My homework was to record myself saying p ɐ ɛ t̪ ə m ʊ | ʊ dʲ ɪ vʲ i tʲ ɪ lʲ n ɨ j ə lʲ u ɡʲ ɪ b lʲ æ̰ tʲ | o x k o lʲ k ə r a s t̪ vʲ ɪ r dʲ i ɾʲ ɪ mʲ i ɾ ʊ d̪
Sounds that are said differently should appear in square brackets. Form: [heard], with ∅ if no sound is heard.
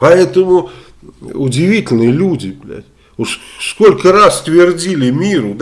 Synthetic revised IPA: p ɐ ɛ t̪ ə m ʊ | ʊ dʲ ɪ vʲ i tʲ ɪ lʲ n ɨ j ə lʲ u [dʲ] ɪ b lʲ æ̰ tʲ | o [s] k o lʲ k ə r a s t̪ vʲ ɪ r dʲ i [lʲ] ɪ mʲ i ɾ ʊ d̪

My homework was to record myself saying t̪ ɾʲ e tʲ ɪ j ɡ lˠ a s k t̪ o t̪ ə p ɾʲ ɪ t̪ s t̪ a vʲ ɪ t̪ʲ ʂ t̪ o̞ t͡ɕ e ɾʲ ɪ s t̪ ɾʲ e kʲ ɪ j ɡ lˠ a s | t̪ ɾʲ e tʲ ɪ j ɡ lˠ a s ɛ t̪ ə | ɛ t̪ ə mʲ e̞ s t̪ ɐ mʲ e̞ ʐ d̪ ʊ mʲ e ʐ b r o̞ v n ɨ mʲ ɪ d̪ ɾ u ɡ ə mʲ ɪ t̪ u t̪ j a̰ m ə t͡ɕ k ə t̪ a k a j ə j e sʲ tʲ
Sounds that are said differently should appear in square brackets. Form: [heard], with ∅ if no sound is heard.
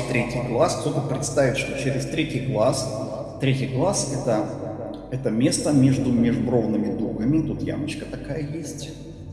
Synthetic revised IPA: t̪ ɾʲ e tʲ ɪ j ɡ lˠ a s k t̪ o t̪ ə p ɾʲ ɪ t̪ s t̪ a vʲ ɪ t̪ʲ ʂ t̪ o̞ t͡ɕ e ɾʲ ɪ s t̪ ɾʲ e [tʲ] ɪ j ɡ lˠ a s | t̪ ɾʲ e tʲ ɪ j ɡ lˠ a s ɛ t̪ ə | ɛ t̪ ə mʲ e̞ s t̪ [ə] mʲ e̞ ʐ d̪ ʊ mʲ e ʐ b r o̞ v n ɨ mʲ ɪ d̪ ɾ u ɡ ə mʲ ɪ t̪ u t̪ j a̰ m ə t͡ɕ k ə t̪ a k a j ə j e sʲ tʲ

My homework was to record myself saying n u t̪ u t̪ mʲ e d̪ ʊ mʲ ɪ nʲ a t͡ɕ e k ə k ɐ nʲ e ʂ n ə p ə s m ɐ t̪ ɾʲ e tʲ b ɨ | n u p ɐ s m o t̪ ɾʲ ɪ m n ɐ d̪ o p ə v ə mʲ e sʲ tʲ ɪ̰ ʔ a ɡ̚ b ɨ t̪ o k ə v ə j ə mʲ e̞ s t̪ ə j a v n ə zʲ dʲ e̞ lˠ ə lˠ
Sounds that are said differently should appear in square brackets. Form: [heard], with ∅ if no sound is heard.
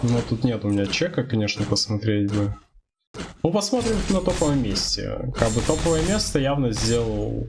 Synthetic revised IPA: n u t̪ u t̪ [nʲ] e [t̪] ʊ mʲ ɪ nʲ a t͡ɕ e k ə k ɐ nʲ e ʂ n ə p ə s m ɐ t̪ ɾʲ e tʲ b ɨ | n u p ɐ s m o t̪ ɾʲ ɪ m n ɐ [t̪] o p ə v ə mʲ e sʲ tʲ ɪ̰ [k] a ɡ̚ b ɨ t̪ o [p] ə v ə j ə mʲ e̞ s t̪ ə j a v n ə zʲ dʲ e̞ lˠ ə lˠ

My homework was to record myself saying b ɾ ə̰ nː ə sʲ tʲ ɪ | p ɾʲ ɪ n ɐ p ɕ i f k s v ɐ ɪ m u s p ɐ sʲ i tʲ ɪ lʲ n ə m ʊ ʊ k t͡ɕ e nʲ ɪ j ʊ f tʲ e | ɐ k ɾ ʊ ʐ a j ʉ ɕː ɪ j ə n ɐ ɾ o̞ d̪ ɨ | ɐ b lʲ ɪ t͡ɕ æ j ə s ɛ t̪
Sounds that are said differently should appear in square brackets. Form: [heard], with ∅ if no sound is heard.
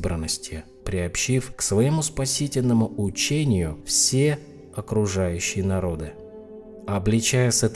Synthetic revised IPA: b ɾ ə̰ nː ə sʲ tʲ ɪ | p ɾʲ ɪ [∅] ɐ p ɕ i f k s v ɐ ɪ m u s p ɐ sʲ i tʲ ɪ lʲ n ə m ʊ ʊ [∅] t͡ɕ e nʲ ɪ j ʊ f [sʲ] e | ɐ k ɾ ʊ ʐ a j ʉ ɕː ɪ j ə n ɐ ɾ o̞ d̪ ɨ | ɐ b lʲ ɪ t͡ɕ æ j ə s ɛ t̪

